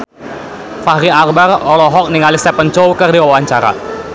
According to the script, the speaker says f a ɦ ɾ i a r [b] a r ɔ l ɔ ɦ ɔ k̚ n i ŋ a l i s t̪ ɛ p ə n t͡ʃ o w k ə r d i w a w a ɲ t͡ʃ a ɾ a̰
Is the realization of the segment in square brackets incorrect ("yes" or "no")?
no